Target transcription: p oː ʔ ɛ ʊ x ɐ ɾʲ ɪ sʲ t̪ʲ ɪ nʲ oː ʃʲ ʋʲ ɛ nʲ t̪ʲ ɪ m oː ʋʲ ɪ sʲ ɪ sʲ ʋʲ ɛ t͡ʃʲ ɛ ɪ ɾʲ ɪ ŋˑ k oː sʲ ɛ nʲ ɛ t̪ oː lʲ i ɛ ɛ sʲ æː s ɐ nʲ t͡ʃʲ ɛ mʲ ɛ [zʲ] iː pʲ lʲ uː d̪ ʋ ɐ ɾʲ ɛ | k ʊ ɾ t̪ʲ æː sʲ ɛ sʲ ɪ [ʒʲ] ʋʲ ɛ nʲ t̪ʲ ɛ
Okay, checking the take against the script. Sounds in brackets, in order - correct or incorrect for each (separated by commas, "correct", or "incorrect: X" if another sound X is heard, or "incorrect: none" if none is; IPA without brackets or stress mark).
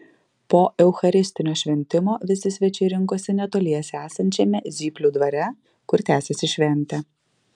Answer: correct, incorrect: ʃʲ